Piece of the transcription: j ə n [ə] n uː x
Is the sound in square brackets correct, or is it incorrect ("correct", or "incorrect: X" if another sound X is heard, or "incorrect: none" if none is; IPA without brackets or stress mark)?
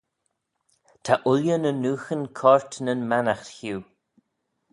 correct